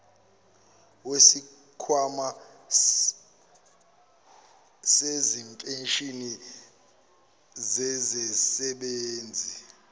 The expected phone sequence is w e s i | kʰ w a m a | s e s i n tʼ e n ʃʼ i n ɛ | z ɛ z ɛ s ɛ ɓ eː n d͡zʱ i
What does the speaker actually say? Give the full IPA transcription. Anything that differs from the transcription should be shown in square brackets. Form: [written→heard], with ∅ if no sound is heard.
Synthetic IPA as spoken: w e s i | kʰ w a m a | s e [s→z] i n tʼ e n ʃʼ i n [ɛ→i] | z ɛ z ɛ s ɛ ɓ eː n d͡zʱ i